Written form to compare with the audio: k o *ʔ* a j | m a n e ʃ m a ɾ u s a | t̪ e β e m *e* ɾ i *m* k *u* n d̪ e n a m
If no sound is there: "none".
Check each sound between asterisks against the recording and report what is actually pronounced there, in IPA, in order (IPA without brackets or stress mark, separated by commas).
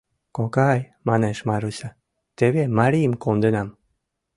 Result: k, a, m, o